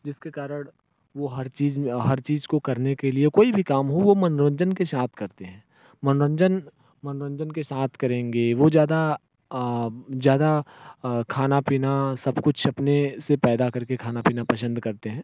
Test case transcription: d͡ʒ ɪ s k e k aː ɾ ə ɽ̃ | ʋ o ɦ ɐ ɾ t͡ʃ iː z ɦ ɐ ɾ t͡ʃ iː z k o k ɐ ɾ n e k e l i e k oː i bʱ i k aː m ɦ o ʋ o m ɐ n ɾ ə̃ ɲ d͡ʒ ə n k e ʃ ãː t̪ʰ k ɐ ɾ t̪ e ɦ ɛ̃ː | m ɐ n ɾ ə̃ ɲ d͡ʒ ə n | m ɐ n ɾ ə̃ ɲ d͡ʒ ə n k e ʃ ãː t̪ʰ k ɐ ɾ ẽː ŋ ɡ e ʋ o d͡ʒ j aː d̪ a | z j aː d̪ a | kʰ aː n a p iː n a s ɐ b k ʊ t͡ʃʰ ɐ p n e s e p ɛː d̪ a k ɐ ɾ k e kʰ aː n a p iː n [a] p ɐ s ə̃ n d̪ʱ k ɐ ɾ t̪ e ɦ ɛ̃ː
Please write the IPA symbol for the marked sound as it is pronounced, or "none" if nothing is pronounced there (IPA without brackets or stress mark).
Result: a